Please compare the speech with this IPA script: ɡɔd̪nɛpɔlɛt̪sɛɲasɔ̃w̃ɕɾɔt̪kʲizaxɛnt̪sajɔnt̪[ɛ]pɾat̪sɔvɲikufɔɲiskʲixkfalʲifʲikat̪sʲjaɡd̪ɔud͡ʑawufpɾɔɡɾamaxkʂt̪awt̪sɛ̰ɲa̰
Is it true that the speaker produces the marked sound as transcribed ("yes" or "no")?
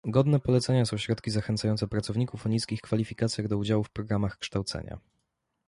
yes